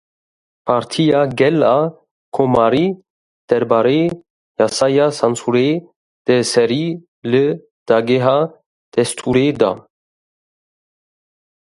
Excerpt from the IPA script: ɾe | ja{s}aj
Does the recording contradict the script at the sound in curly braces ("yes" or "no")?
no